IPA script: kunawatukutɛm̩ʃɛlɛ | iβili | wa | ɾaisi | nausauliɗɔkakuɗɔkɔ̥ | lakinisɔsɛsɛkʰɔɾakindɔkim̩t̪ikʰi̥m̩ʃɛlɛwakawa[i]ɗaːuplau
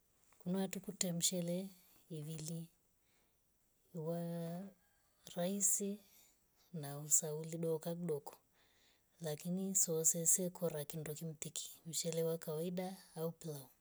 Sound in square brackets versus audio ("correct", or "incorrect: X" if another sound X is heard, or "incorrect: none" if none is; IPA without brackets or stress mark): correct